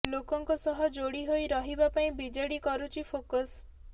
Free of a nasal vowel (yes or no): no